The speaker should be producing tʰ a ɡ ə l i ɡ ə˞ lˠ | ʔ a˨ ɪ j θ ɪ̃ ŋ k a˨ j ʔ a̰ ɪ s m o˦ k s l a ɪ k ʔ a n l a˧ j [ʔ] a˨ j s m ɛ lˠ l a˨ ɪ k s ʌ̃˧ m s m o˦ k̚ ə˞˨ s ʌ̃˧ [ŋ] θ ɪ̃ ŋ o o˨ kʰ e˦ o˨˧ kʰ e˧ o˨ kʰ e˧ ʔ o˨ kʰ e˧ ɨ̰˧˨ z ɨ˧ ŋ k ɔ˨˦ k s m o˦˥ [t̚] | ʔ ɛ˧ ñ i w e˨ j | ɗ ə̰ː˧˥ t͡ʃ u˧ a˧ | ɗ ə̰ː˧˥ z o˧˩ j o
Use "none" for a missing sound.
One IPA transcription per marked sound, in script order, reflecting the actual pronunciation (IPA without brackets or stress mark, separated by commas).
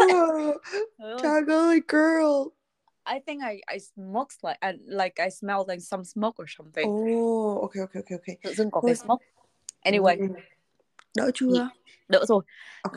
k, m, k̚